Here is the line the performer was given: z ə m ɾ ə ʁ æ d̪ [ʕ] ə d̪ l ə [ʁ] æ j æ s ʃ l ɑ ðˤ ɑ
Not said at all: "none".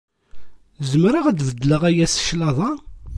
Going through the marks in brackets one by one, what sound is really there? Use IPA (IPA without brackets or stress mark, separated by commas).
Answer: v, ʁ